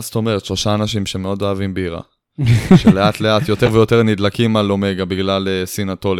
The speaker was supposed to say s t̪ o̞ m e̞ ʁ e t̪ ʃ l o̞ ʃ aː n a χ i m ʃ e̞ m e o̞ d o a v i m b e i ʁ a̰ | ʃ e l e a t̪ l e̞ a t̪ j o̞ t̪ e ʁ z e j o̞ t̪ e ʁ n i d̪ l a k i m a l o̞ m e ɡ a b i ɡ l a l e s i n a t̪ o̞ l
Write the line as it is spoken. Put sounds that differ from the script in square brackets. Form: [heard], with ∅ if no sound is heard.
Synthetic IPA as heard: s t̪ o̞ m e̞ ʁ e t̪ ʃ l o̞ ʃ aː n a [ʃ] i m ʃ e̞ m e o̞ d o a v i m b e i ʁ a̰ | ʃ e l e a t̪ l e̞ a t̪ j o̞ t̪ e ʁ [v] e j o̞ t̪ e ʁ n i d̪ l a k i m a l o̞ m e ɡ a b i ɡ l a l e s i n a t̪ o̞ l